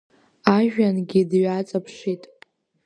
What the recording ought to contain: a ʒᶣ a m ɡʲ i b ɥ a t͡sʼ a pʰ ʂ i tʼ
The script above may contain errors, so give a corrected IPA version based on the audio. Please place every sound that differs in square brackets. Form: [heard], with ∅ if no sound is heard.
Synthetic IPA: a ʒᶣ a [n] ɡʲ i [d] ɥ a t͡sʼ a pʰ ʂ i tʼ